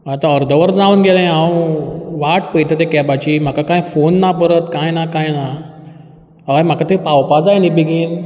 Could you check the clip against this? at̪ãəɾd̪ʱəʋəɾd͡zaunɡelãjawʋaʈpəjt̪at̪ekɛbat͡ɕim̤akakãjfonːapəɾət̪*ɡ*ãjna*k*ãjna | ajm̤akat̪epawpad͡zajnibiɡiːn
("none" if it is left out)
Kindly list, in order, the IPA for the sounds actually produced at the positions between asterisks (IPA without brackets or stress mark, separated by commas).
k, k